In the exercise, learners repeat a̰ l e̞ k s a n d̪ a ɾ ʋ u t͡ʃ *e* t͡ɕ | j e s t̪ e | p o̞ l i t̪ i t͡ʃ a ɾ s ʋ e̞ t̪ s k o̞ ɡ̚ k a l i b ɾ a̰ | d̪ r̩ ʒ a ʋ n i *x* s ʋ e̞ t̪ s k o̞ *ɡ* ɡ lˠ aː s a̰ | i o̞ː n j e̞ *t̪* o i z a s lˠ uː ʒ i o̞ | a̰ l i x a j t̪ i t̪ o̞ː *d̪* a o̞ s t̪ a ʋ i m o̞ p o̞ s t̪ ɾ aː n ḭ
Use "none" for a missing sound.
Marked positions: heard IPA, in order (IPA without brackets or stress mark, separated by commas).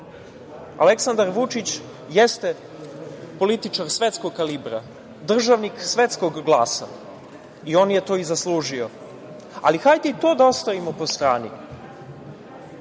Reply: i, k, ɡ, t̪, d̪